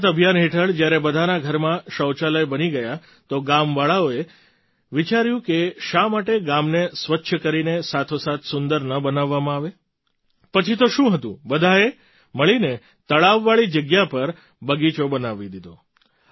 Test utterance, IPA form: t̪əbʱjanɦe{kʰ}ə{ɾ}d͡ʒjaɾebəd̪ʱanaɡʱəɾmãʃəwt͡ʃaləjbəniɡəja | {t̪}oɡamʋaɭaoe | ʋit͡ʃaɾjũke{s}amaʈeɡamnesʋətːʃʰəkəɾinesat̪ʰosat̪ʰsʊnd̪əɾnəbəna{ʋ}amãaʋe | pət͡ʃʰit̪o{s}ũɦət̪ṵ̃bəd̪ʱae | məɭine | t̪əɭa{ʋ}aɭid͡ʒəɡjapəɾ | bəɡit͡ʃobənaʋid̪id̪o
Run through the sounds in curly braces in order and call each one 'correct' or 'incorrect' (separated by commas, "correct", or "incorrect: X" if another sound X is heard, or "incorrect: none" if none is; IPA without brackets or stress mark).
incorrect: ʈʰ, incorrect: ɭ, correct, incorrect: ʃ, incorrect: ʋː, incorrect: ʃ, incorrect: ʋː